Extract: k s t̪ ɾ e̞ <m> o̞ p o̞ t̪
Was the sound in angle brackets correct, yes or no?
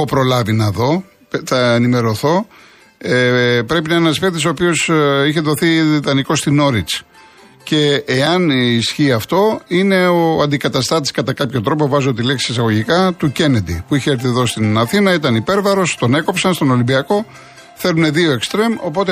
yes